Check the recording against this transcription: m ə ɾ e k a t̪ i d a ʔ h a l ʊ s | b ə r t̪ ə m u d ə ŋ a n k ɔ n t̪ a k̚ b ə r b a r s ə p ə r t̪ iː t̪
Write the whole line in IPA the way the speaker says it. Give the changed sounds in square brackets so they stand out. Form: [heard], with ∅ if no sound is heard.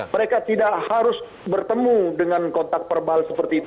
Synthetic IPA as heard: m ə ɾ e k a t̪ i d a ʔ h a [ɾ] ʊ s | b ə r t̪ ə m u d ə ŋ a n k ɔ n t̪ a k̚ [p] ə r b a [l] s ə p ə r t̪ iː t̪